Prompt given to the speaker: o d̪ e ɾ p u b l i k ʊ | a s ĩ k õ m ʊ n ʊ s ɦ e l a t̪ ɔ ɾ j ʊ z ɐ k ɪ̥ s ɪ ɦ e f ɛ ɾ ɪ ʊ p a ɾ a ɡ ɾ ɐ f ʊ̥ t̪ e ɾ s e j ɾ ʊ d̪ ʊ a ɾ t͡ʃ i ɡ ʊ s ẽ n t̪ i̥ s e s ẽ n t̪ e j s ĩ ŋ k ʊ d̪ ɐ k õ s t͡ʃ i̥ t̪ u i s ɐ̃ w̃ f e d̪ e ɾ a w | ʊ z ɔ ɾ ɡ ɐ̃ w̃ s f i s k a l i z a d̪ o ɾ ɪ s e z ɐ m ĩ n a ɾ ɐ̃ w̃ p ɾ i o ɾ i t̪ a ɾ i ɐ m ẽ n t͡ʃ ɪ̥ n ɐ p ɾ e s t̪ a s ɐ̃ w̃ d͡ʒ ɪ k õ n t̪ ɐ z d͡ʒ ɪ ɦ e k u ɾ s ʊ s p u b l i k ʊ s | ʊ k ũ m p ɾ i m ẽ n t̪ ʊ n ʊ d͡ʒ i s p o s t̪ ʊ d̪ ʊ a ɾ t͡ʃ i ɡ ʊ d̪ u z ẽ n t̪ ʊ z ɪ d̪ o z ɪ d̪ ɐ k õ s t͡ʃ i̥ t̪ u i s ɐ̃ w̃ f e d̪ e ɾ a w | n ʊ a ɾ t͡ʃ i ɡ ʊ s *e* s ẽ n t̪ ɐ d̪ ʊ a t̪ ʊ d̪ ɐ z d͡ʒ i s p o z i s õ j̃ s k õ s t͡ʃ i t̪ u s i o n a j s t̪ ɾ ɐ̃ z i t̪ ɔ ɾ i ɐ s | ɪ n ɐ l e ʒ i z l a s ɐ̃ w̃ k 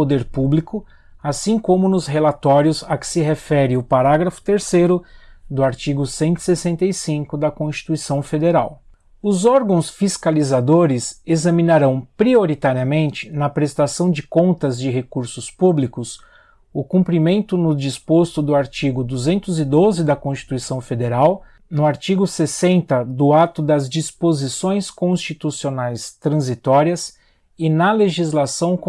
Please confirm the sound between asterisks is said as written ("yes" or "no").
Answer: yes